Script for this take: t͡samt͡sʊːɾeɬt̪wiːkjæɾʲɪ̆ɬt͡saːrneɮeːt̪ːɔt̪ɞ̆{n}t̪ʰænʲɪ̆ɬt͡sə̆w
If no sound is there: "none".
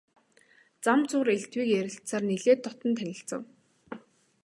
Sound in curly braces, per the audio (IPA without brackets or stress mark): n